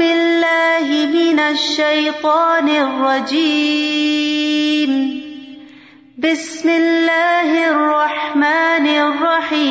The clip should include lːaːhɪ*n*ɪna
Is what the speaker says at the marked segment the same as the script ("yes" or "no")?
no